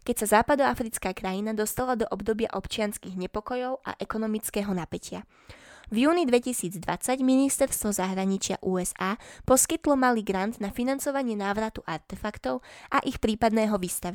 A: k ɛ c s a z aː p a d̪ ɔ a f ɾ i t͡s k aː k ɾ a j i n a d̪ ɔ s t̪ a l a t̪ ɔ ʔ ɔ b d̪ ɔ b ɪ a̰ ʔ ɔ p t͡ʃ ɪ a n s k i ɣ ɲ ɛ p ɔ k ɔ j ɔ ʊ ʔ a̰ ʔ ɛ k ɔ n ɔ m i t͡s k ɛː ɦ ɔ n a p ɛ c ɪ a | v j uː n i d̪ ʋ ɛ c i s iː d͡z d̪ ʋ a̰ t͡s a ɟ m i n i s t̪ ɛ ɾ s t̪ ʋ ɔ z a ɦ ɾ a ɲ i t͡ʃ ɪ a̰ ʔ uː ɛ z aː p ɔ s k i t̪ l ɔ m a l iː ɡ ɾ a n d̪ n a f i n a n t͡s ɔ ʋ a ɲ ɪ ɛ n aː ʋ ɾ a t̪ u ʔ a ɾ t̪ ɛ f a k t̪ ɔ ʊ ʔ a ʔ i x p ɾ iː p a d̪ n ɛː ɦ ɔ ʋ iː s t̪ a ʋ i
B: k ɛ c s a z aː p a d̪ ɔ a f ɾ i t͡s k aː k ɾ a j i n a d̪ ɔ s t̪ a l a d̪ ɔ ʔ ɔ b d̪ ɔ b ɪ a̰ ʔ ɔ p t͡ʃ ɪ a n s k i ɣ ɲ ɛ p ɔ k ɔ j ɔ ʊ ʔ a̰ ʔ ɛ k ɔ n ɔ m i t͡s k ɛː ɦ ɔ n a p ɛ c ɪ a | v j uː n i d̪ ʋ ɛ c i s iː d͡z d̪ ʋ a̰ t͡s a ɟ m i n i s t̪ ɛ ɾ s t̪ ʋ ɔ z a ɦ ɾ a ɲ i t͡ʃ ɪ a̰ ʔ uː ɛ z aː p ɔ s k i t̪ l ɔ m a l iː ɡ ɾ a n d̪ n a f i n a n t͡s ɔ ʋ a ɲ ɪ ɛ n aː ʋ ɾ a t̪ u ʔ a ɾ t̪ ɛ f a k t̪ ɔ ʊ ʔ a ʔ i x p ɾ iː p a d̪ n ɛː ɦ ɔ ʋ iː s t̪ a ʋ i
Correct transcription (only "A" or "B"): B